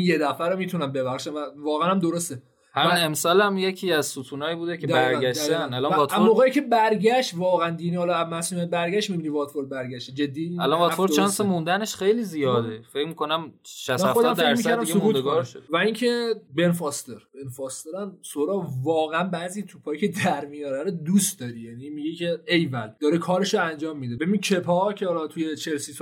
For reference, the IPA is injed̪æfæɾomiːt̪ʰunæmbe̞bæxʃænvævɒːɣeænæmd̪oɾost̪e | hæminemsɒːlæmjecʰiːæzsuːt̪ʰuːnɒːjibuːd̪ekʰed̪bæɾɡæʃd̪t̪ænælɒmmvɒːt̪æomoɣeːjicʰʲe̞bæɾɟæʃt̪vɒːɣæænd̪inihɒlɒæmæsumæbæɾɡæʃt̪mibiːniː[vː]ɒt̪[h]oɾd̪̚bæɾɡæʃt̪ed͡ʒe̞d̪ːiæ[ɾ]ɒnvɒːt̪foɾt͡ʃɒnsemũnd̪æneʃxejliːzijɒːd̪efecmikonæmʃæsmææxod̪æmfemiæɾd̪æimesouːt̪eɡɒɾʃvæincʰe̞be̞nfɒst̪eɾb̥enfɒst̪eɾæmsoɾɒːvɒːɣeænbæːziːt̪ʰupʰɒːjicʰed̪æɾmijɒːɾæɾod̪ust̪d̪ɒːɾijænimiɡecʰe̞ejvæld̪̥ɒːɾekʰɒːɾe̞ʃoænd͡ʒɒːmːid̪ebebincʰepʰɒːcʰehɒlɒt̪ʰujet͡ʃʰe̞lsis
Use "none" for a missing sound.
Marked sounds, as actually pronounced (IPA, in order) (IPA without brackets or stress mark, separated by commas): v, f, l